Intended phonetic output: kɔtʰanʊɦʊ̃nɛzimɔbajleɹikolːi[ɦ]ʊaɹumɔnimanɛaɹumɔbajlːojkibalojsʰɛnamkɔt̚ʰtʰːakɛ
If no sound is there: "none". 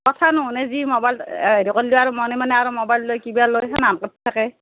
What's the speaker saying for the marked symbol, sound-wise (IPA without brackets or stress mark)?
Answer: none